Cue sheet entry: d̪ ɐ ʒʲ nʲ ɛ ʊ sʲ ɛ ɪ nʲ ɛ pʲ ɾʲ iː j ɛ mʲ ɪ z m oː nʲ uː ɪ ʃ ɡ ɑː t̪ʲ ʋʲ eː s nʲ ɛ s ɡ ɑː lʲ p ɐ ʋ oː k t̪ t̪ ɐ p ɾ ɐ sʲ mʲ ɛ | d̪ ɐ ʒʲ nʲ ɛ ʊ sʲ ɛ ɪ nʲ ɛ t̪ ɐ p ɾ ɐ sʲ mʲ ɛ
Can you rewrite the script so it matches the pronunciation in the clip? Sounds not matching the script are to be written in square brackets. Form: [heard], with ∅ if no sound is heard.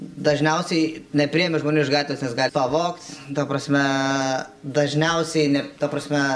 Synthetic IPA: d̪ ɐ ʒʲ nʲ ɛ ʊ sʲ ɛ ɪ nʲ ɛ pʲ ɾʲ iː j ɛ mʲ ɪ [ʒ] m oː nʲ uː ɪ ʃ ɡ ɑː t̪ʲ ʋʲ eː s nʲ ɛ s ɡ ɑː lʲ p ɐ ʋ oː k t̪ t̪ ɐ p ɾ ɐ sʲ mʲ ɛ | d̪ ɐ ʒʲ nʲ ɛ ʊ sʲ ɛ ɪ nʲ ɛ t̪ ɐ p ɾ ɐ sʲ mʲ ɛ